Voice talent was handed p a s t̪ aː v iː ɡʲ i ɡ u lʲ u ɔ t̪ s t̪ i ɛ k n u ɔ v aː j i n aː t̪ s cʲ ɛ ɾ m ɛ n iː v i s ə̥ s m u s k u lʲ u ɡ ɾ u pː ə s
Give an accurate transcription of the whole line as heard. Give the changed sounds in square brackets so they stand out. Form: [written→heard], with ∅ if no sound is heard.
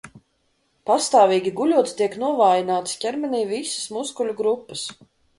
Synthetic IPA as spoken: p a s t̪ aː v iː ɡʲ i ɡ u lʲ u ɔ t̪ s t̪ i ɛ k n u ɔ v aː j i n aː t̪ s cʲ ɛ ɾ m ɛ n iː v i s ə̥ s m u s k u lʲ u ɡ ɾ u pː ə s